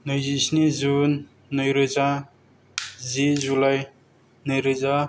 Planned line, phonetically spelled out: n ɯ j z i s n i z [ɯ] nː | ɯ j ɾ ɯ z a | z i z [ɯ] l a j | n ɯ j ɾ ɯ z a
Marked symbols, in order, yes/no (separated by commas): no, no